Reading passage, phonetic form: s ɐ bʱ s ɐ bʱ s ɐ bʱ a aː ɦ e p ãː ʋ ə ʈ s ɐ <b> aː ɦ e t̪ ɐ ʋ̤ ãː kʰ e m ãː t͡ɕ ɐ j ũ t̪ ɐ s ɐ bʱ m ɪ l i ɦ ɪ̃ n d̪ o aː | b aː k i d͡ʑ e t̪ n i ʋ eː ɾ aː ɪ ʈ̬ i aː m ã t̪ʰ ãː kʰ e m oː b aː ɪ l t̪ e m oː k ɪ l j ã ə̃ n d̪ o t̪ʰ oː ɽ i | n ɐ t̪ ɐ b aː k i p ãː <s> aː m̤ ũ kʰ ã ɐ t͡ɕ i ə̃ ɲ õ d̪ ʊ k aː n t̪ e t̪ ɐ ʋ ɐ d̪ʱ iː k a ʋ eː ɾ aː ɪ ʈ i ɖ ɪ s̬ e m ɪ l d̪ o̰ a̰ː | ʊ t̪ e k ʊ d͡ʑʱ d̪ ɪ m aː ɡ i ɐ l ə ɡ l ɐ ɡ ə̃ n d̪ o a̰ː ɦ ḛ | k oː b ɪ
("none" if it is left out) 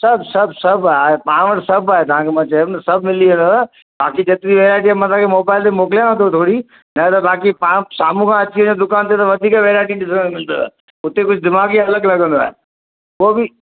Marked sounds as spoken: b, s

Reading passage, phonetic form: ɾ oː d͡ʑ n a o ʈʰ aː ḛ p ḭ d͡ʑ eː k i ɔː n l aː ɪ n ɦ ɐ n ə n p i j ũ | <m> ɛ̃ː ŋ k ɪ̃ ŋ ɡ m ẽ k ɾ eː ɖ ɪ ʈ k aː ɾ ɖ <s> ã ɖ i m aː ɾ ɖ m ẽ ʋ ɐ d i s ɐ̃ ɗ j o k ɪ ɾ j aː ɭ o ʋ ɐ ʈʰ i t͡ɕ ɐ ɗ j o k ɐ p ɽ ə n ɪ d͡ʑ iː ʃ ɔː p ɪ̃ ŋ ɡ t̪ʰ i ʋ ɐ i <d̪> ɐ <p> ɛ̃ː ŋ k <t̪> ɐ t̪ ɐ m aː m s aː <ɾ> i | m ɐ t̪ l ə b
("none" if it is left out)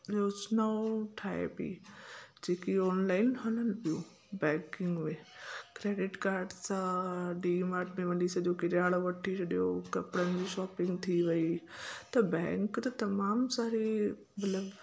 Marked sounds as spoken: b, s, t̪, b, t̪, ɾ

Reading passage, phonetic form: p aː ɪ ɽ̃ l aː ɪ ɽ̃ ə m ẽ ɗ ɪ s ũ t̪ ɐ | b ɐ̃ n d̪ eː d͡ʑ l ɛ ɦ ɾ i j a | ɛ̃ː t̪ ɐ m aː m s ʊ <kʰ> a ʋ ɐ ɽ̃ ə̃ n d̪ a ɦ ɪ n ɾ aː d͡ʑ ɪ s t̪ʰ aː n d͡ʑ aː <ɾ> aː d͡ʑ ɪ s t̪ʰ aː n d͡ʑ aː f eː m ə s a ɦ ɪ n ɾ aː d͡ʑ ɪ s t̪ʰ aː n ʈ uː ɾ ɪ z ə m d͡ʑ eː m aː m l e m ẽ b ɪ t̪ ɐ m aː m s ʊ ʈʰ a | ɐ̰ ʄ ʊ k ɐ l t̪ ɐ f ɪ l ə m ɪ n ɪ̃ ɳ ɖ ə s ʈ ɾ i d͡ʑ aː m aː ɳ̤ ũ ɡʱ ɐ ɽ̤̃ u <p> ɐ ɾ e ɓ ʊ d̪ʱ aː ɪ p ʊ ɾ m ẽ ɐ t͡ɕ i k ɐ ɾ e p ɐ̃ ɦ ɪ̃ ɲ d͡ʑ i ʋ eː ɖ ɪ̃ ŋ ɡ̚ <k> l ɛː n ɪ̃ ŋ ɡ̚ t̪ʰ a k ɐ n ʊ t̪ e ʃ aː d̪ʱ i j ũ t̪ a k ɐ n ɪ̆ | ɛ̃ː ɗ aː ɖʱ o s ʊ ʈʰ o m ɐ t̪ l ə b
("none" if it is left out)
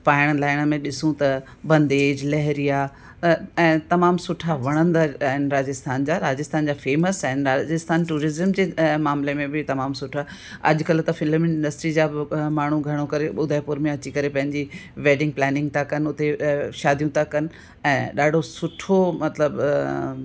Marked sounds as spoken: ʈʰ, ɾ, k, p

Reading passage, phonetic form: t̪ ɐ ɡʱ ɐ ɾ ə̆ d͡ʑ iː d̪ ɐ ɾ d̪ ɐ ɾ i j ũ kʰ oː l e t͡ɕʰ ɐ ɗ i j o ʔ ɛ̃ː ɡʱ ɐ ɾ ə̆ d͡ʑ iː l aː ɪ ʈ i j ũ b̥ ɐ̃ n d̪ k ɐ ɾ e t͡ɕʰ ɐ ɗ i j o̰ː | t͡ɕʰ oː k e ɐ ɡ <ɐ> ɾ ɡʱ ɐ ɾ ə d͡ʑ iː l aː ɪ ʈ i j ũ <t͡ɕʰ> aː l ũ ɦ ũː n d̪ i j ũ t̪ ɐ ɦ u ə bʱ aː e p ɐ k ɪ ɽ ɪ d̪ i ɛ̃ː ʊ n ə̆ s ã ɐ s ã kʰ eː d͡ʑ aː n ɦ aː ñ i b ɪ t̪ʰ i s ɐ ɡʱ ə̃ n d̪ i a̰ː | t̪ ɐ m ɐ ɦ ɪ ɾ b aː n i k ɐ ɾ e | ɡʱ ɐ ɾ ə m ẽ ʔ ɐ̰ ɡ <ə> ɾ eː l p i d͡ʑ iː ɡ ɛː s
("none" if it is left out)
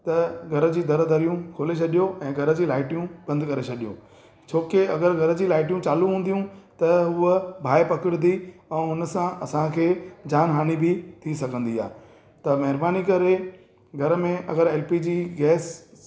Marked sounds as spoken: ə, t͡ɕ, ə

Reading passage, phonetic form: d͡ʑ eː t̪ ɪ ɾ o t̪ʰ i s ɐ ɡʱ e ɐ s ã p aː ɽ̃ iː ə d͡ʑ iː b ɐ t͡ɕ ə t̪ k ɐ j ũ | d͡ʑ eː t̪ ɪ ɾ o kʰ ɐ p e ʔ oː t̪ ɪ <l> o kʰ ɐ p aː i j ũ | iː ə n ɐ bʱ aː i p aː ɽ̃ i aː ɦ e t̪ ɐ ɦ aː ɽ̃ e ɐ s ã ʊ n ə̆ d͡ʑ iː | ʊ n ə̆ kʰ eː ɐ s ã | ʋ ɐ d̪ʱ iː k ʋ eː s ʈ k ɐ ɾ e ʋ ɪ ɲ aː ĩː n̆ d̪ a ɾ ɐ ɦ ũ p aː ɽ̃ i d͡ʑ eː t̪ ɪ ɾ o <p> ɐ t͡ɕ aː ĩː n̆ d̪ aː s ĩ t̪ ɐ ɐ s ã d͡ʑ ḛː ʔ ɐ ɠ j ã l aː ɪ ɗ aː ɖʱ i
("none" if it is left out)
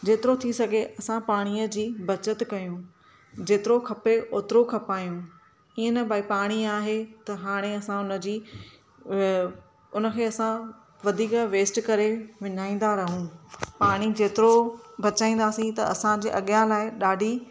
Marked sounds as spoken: ɾ, b

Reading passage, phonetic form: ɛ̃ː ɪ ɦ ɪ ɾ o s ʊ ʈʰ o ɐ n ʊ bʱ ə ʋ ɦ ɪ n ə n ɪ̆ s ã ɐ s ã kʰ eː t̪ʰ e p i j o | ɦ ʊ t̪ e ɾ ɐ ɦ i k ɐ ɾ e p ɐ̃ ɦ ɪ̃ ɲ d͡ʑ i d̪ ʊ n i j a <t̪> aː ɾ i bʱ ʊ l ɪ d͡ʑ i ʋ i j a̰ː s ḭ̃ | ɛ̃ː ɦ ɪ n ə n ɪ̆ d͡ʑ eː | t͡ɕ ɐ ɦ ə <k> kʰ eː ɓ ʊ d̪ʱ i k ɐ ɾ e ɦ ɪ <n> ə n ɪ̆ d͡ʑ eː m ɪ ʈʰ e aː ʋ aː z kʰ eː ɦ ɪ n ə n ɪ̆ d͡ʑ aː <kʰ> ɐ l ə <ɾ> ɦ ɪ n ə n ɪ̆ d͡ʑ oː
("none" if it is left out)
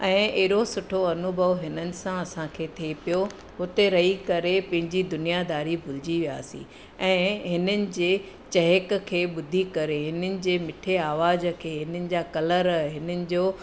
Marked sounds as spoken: d̪, k, n, k, ɾ

